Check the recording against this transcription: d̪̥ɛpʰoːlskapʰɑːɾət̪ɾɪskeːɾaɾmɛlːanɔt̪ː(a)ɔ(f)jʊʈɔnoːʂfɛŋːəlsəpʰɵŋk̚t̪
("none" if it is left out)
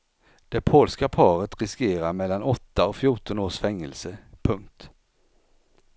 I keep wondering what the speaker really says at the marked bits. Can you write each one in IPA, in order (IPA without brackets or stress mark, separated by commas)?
a, f